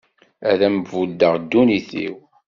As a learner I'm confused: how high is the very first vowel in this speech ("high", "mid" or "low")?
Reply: low